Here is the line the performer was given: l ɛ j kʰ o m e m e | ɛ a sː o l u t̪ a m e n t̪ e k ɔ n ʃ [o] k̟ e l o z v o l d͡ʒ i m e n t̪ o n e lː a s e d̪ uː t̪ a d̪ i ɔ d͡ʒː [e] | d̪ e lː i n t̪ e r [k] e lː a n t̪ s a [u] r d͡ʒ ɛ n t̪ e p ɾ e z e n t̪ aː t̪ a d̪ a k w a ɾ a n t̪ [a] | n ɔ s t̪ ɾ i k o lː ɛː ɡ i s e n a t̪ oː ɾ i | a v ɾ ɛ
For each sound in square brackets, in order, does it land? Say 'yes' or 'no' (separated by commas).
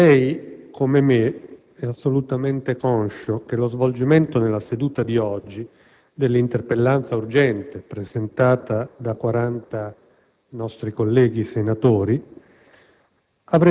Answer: yes, no, no, yes, yes